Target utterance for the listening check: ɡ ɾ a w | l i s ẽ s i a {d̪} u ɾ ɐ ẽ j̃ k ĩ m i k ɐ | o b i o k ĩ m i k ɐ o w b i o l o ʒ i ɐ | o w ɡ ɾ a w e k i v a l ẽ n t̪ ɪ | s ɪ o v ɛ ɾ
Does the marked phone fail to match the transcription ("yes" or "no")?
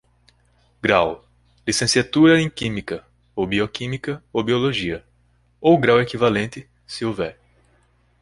yes